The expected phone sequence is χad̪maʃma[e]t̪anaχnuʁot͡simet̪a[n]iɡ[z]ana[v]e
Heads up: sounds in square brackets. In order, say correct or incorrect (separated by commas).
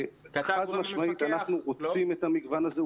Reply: incorrect, incorrect, incorrect, incorrect